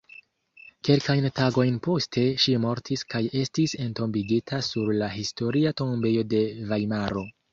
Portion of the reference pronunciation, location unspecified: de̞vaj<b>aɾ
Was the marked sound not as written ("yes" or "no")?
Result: yes